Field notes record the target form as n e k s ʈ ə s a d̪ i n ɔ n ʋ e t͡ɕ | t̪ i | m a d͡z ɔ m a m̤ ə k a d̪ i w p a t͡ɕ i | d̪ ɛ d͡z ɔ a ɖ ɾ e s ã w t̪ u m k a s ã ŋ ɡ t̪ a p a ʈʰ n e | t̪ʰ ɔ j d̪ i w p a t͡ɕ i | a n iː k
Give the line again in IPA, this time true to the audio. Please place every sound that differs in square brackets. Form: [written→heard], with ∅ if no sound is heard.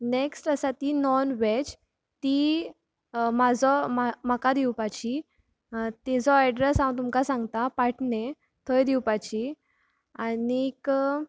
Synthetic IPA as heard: n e k s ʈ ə s a [d̪→t̪] i n ɔ n ʋ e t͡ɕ | t̪ i | m a d͡z ɔ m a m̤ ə k a d̪ i w p a t͡ɕ i | [d̪→t̪] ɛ d͡z ɔ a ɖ ɾ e s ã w t̪ u m k a s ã ŋ ɡ t̪ a p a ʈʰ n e | t̪ʰ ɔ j d̪ i w p a t͡ɕ i | a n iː k